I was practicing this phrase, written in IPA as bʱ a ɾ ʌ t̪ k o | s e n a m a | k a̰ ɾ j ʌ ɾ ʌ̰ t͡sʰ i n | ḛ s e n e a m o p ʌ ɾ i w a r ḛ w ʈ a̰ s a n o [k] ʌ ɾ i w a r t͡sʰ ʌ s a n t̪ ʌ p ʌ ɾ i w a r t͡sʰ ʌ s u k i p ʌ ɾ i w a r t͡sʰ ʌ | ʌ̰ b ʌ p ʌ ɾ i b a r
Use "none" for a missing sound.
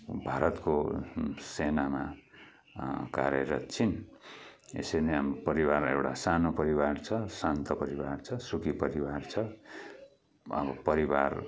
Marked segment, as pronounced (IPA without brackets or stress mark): p